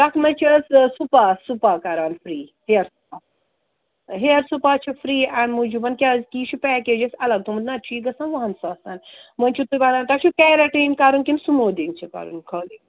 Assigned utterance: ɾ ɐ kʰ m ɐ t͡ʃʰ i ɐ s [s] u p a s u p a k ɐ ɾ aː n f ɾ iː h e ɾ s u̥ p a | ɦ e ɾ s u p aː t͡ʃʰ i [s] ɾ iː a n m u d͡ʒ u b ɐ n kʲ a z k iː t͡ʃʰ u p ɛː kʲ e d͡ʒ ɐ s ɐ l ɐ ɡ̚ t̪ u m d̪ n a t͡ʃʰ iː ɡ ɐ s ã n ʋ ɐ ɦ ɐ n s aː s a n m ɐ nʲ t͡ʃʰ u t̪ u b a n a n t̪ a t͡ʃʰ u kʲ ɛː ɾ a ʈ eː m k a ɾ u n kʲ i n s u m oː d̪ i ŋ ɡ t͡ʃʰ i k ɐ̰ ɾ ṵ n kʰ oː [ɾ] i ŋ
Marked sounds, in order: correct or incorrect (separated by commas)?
correct, incorrect, incorrect